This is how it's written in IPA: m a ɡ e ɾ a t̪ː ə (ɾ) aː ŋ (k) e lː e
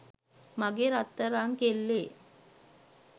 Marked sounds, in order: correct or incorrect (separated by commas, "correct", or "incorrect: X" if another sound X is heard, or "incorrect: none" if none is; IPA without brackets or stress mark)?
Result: correct, correct